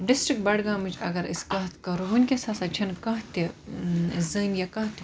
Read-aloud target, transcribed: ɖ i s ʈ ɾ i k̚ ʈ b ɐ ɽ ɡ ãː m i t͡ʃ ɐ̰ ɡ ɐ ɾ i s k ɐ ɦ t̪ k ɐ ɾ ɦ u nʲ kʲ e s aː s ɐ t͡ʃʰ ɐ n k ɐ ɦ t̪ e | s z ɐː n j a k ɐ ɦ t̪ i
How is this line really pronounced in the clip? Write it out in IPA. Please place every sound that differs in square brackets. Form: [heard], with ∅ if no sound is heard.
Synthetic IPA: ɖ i s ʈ ɾ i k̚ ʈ b ɐ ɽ ɡ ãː m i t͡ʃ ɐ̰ ɡ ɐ ɾ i s k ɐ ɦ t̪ k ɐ ɾ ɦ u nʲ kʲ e s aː s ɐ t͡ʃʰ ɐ n k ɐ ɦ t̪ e | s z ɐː n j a k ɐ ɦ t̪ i